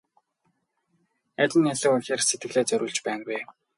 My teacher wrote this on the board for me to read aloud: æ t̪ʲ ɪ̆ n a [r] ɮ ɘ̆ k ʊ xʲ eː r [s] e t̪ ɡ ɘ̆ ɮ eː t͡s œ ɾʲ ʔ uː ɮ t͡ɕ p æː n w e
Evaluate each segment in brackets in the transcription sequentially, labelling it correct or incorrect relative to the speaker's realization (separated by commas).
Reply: incorrect, correct